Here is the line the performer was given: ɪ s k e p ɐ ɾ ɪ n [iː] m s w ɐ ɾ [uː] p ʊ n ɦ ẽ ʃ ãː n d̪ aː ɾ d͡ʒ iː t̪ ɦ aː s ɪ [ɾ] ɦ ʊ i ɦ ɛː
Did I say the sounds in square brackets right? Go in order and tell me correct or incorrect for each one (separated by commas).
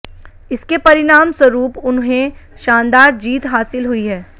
incorrect, correct, incorrect